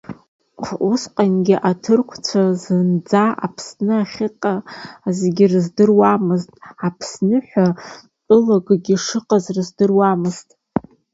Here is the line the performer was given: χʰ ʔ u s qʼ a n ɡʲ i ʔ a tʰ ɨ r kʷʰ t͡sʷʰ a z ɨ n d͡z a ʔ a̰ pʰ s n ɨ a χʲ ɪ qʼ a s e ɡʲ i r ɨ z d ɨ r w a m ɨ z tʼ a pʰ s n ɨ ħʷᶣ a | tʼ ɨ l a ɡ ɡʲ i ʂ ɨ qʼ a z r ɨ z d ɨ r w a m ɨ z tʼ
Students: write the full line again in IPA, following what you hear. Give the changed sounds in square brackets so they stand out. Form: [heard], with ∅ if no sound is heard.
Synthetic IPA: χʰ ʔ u s qʼ a n ɡʲ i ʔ a tʰ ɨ r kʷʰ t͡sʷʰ a z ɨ n d͡z a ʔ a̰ pʰ s n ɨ a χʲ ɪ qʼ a [z] e ɡʲ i r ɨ z d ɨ r w a m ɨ z tʼ a pʰ s n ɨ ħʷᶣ a | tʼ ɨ l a ɡ ɡʲ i ʂ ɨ qʼ a z r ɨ z d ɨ r w a m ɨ z tʼ